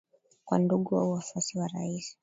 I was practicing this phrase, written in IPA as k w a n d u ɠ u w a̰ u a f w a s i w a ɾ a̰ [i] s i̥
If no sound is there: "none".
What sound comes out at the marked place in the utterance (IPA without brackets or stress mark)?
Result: i